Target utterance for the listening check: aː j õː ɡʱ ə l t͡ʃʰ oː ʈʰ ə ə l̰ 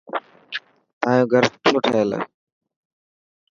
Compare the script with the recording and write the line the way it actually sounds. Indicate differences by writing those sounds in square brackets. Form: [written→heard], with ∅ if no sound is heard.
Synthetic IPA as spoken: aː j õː ɡʱ ə [l→ɾ] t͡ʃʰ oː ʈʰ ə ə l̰